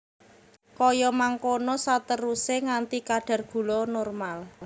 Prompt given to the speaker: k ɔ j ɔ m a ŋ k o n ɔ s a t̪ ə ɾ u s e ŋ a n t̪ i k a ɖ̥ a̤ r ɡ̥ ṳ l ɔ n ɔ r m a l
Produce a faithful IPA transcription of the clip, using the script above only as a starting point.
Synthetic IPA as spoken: k ɔ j ɔ m a ŋ k o n ɔ s a t̪ ə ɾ u s e ŋ a n t̪ i k a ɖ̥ a̤ r ɡ̥ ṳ l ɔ n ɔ r m a l